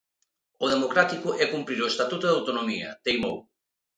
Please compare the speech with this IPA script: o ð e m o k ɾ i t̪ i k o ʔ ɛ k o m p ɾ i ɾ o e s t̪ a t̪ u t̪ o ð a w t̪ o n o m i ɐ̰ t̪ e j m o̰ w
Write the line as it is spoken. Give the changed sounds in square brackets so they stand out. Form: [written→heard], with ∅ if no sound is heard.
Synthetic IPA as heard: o ð e m o k ɾ [i→a] t̪ i k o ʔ ɛ k [o→u] m p ɾ i ɾ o e s t̪ a t̪ u t̪ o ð a w t̪ o n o m i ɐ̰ t̪ e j m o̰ w